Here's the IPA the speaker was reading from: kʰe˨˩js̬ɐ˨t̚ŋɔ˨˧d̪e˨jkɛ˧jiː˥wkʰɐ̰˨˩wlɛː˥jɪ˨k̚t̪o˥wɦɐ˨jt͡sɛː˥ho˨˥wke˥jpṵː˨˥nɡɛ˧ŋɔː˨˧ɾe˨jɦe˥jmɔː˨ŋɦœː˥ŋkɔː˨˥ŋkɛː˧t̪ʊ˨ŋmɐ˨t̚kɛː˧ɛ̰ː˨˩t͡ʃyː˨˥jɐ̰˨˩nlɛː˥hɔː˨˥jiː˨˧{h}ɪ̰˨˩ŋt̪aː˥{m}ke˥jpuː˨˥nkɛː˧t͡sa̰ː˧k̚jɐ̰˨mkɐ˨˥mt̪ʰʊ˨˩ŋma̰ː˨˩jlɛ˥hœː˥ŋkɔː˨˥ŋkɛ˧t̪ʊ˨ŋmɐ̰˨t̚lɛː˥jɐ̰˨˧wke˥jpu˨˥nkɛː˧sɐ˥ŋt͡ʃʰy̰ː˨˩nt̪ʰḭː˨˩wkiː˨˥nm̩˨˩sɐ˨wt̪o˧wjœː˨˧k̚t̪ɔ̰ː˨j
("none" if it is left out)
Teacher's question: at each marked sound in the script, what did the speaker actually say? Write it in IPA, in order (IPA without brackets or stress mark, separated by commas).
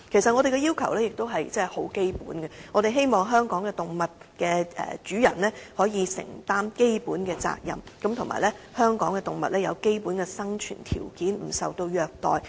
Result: s, m